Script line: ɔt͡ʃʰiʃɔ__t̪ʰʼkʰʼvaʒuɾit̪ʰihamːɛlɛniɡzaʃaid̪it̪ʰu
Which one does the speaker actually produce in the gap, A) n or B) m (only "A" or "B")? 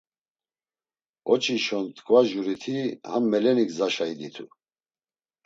A